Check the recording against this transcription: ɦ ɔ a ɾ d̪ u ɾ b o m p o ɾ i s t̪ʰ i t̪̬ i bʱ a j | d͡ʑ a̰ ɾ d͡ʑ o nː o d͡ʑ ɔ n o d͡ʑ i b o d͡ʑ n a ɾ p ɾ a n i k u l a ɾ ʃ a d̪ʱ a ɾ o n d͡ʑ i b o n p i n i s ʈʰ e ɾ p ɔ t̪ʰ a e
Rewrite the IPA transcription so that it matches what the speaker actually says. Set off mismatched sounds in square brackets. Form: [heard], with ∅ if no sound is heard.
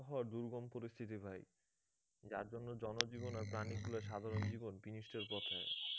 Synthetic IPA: ɦ ɔ a ɾ d̪ u ɾ [ɡ] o m p o ɾ i s t̪ʰ i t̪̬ i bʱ a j | d͡ʑ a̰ ɾ d͡ʑ o nː o d͡ʑ ɔ n o d͡ʑ i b o [∅] n a ɾ p ɾ a n i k u l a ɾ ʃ a d̪ʱ a ɾ o n d͡ʑ i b o n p i n i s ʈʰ e ɾ p ɔ t̪ʰ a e